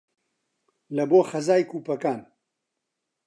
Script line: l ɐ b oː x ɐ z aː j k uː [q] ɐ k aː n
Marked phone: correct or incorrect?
incorrect